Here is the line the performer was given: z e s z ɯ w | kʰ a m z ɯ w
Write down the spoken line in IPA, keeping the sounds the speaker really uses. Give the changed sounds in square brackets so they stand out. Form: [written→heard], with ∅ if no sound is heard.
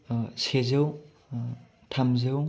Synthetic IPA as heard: [z→s] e [s→∅] z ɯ w | [kʰ→tʰ] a m z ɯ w